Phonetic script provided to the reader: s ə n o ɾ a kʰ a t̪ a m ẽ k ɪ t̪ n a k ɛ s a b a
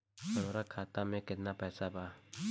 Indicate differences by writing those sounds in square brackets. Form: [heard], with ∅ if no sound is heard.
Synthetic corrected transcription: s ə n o ɾ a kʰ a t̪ a m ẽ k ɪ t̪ n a [p] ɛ s a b a